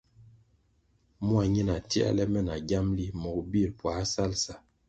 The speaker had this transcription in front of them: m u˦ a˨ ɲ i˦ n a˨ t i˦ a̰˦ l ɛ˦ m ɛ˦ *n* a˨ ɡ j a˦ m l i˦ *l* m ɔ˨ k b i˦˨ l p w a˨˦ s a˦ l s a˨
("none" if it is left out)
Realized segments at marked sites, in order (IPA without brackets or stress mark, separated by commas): n, none